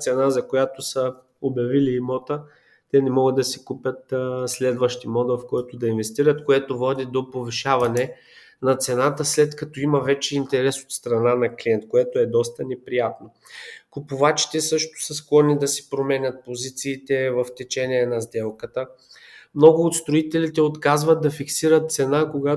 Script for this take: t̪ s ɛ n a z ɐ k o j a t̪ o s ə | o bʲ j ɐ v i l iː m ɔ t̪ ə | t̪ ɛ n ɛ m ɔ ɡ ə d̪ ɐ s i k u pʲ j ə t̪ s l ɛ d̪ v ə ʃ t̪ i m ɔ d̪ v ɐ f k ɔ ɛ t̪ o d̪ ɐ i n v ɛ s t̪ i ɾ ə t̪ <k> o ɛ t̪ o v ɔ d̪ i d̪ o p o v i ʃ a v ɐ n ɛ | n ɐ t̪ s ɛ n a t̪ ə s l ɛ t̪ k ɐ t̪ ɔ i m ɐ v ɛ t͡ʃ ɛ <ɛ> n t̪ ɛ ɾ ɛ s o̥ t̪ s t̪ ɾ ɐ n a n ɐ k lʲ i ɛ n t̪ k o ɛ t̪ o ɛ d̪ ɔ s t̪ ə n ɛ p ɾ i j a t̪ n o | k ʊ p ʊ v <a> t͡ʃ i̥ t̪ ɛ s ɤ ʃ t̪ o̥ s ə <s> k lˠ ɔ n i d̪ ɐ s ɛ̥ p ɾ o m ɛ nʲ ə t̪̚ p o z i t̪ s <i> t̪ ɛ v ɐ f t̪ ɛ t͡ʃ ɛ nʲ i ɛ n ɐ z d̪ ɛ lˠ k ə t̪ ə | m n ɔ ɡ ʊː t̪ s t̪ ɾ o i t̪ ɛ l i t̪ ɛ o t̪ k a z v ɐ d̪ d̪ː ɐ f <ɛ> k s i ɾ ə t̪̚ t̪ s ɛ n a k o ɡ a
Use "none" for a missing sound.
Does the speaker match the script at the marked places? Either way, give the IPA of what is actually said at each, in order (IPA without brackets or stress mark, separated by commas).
k, i, a, s, iː, i